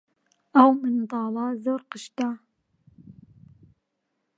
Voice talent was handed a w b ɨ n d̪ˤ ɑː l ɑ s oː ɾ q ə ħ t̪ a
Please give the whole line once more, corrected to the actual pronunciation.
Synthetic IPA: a w m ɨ n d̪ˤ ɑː l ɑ z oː ɾ q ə ʃ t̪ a